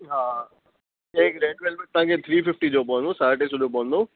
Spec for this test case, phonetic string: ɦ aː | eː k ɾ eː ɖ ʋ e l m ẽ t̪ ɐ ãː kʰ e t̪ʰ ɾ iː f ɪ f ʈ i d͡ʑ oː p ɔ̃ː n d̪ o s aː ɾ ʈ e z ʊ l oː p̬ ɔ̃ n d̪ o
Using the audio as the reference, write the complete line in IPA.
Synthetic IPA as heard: ɦ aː | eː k ɾ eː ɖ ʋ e l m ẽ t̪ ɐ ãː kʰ e t̪ʰ ɾ iː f ɪ f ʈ i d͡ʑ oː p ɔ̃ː n d̪ o s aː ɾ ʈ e s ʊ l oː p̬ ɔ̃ n d̪ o